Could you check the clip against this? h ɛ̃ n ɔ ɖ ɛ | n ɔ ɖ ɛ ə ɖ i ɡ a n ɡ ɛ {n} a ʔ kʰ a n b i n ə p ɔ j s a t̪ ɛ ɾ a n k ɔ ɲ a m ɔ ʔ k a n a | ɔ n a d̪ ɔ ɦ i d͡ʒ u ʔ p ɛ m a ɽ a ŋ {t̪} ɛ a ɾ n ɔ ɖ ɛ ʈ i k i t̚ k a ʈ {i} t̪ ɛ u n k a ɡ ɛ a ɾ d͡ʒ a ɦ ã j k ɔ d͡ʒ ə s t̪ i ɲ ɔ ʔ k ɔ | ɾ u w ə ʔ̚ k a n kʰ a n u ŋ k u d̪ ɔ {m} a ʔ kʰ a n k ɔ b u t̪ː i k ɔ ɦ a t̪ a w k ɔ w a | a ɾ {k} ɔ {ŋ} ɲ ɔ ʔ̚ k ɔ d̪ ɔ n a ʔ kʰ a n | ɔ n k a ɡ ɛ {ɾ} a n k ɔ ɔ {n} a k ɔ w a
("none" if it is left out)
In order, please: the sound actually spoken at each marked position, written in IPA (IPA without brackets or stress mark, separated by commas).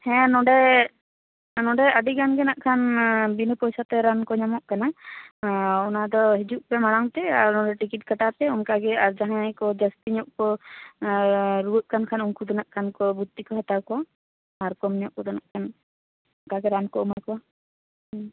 n, t̪, a, n, k, m, ɾ, m